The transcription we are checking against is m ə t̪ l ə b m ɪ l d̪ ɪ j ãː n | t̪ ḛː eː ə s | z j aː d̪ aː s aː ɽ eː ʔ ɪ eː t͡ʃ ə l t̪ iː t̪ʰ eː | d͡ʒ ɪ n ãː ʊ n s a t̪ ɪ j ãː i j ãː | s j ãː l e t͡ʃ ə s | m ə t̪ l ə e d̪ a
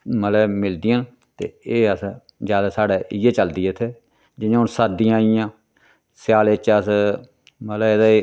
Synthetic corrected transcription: m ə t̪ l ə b m ɪ l d̪ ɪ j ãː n | t̪ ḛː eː ə s | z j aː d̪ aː s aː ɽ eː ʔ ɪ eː t͡ʃ ə l d̪ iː t̪ʰ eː | d͡ʒ ɪ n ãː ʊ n s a d̪ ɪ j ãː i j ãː | s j aː l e t͡ʃ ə s | m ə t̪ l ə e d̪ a